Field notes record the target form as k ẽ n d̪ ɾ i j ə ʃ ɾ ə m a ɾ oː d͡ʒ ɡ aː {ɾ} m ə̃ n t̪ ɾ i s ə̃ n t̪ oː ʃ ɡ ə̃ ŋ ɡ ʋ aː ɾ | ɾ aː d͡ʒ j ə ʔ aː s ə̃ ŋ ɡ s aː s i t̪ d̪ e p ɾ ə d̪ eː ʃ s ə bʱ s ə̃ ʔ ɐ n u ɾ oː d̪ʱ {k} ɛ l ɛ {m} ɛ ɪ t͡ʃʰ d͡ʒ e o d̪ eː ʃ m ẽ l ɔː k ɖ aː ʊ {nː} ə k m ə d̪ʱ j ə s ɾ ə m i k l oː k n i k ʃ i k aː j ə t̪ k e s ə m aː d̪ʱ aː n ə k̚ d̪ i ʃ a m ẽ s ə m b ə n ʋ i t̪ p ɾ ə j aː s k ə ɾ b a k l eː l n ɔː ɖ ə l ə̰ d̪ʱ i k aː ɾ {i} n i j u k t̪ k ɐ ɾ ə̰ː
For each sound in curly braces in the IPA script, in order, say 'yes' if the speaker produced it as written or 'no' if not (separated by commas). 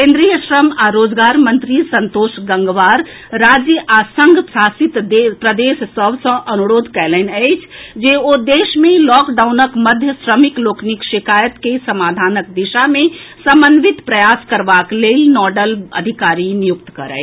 yes, yes, no, no, yes